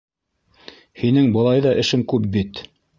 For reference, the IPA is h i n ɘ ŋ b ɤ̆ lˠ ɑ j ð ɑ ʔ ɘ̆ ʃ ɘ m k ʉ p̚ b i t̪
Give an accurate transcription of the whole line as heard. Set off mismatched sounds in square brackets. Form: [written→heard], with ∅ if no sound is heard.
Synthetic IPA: h i n ɘ ŋ b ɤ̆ lˠ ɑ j ð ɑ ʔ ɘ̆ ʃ ɘ [m→ŋ] k ʉ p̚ b i t̪